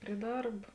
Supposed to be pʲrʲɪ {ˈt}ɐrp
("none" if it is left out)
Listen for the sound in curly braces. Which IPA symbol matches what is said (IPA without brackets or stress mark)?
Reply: d